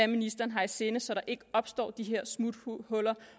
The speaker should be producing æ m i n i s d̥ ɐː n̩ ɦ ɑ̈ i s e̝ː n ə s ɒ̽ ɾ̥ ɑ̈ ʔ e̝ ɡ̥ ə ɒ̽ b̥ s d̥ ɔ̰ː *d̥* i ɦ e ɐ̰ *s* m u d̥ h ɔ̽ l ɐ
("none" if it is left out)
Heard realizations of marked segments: d̥, s

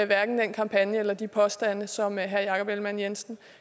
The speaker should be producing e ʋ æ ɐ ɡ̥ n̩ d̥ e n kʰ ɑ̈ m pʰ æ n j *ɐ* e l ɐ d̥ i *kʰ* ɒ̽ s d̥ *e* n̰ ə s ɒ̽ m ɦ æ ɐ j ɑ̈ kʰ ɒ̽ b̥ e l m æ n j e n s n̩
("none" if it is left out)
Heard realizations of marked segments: ə, pʰ, æ

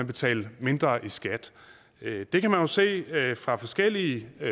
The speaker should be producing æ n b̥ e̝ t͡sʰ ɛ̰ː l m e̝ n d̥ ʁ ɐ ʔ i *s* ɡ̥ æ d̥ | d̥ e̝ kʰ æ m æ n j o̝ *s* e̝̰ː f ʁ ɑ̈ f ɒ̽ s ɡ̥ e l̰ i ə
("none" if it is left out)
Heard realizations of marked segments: s, s

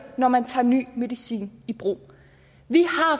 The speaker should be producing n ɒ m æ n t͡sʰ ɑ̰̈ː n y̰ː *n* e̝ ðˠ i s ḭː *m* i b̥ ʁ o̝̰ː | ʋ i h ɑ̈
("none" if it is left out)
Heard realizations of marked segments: m, n

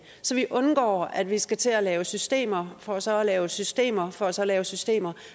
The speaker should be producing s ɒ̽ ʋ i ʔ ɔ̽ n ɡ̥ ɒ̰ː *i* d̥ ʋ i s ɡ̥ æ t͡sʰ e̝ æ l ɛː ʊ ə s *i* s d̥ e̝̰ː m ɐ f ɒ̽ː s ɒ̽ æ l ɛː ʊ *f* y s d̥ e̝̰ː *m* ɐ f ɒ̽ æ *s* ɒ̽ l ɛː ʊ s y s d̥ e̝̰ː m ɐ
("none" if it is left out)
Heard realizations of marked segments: æ, y, s, m, s

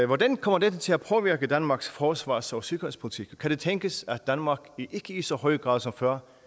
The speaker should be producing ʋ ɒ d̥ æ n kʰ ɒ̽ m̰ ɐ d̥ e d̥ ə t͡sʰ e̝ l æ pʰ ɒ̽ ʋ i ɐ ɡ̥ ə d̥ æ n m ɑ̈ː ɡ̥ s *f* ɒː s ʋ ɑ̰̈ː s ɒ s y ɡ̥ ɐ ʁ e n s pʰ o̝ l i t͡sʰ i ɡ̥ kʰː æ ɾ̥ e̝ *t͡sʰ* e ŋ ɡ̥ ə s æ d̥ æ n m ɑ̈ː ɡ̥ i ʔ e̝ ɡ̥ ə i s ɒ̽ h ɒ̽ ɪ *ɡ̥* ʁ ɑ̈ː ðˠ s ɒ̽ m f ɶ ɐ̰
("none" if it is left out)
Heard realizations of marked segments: f, t͡sʰ, ɡ̥

